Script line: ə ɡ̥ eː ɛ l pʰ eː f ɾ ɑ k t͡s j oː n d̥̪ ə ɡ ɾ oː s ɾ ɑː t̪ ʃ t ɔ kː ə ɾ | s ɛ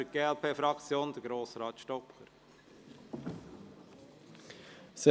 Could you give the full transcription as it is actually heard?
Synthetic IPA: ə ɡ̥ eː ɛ l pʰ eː f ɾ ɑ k t͡s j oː n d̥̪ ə ɡ ɾ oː s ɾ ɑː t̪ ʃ t ɔ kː ə ɾ | s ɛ

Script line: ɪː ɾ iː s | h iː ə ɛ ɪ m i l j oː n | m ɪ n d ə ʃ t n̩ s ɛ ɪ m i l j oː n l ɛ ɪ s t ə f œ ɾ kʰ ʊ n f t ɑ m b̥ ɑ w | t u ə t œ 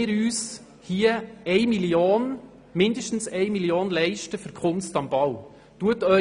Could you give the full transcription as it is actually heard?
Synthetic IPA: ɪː ɾ yː s | h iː ə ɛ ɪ m i l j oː n | m ɪ n d ə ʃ t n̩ s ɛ ɪ m i l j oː n l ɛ ɪ ʃ t ə f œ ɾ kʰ ʊ n s t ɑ m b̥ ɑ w | t u ə t œ

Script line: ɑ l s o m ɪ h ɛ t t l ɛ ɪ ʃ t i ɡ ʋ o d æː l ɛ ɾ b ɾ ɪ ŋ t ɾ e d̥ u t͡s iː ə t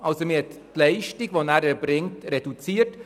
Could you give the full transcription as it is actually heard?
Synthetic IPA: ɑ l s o m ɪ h ɛ t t l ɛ ɪ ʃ t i ɡ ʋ o n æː ɾ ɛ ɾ b ɾ ɪ ŋ t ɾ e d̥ u t͡s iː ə t

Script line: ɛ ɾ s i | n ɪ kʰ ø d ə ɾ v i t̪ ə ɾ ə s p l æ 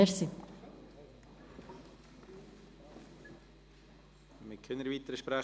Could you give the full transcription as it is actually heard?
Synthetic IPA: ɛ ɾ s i | m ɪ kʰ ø n ə ɾ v i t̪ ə ɾ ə ʃ p ɾ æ

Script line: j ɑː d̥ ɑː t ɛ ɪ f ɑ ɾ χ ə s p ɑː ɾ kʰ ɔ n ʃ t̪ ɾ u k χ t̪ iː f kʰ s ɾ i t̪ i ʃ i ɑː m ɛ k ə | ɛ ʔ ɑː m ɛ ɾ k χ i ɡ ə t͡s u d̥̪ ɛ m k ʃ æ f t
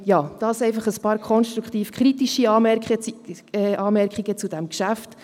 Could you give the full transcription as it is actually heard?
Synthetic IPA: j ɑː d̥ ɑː s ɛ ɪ f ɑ χ ə s p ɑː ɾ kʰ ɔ n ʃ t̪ ɾ u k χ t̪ iː f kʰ χ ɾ i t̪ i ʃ i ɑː m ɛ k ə | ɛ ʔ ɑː m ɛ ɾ k χ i ɡ ə t͡s u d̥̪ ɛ m k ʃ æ f t

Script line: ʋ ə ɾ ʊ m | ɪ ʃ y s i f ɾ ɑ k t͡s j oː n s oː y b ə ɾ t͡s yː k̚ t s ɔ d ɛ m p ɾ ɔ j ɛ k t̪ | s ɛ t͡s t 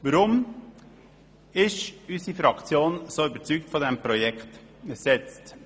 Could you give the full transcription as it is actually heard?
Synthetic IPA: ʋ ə ɾ ʊ m | ɪ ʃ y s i f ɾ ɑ k t͡s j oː n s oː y b ə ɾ t͡s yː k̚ t f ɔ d ɛ m p ɾ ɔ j ɛ k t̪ | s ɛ t͡s t

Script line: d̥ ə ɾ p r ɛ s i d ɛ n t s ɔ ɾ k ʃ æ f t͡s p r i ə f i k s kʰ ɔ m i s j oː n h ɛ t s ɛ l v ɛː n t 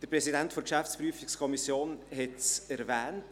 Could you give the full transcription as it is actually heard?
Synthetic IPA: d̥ ə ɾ p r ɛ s i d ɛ n t f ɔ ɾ k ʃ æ f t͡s p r y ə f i k s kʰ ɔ m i s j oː n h ɛ t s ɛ ɾ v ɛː n t

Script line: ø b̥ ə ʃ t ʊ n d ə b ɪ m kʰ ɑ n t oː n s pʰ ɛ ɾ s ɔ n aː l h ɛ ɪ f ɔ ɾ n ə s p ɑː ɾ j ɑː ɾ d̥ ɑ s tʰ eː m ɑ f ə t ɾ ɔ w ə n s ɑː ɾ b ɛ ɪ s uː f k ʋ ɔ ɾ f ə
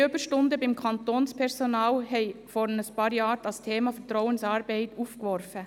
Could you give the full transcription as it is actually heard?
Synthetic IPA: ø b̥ ə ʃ t ʊ n d ə b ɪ m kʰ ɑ n t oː n s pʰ ɛ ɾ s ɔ n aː l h ɛ ɪ f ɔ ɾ n ə s p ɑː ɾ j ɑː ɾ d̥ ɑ s tʰ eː m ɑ f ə t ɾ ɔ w ə n s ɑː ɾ b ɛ ɪ t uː f k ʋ ɔ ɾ f ə

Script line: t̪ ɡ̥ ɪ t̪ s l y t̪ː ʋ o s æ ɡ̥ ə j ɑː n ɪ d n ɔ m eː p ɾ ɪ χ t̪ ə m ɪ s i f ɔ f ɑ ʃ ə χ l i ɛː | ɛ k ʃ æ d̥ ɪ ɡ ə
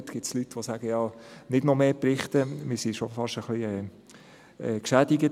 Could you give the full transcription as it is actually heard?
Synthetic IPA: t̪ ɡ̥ ɪ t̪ s l y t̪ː ʋ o s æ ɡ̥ ə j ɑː n ɪ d n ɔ m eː p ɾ ɪ χ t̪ ə m ɪ s i ʃ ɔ f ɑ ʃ ə χ l i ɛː | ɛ k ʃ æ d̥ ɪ ɡ ə

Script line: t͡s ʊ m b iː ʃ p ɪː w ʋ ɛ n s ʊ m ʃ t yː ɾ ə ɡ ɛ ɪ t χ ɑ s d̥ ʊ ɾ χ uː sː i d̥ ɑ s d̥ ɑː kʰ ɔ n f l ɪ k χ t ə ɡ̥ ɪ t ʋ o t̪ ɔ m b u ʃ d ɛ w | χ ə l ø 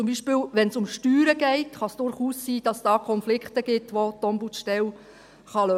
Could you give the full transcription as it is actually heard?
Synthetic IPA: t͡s ʊ m b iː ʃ p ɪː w ʋ ɛ n s ʊ m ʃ t yː ɾ ə ɡ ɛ ɪ t χ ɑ s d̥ ʊ ɾ χ uː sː iː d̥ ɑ s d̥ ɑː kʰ ɔ n f l ɪ k χ t ə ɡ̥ ɪ t ʋ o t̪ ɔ m b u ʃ t ɛ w | χ ɑ l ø

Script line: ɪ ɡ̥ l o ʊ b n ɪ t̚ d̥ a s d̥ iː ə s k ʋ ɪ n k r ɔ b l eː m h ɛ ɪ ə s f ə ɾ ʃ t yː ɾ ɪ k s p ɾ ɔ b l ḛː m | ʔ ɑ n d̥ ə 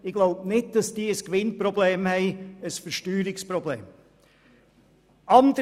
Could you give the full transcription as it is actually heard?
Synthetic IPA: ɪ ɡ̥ l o ʊ b n ɪ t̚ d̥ ɑ s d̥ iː ə s k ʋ ɪ n p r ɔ b l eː m h ɛ ɪ ə s f ə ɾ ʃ t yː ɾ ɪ k s p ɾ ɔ b l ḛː m | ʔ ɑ n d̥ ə

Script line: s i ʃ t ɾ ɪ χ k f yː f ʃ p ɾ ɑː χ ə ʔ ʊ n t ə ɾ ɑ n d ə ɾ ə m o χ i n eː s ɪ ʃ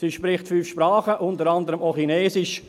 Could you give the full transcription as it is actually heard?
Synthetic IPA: s i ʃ p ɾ ɪ χ t f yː f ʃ p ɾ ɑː χ ə ʔ ʊ n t ə ɾ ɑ n d ə ɾ ə m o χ i n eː s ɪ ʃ

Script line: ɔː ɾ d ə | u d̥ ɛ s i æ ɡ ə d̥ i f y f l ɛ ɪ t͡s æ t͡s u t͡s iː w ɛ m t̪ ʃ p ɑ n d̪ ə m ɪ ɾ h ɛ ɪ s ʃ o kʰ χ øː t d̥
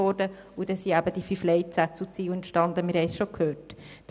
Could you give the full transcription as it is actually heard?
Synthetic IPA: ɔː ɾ d ə | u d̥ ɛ s i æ b ə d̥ i f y f l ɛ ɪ t͡s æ t͡s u t͡s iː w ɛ n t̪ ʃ t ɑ n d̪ ə m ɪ ɾ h ɛ ɪ s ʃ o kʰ h øː t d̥

